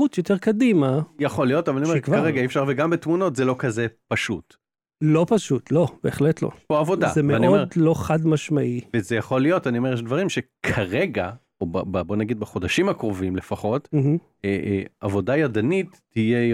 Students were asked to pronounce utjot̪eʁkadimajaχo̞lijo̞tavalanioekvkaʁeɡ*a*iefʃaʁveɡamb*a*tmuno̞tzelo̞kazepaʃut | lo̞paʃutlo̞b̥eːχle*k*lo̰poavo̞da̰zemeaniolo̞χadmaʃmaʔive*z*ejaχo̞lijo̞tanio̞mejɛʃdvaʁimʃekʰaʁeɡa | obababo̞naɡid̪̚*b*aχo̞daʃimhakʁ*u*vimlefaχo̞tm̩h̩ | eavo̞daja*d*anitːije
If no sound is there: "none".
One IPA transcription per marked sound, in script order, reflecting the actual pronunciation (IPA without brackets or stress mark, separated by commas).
a, e, t, z, b, o, d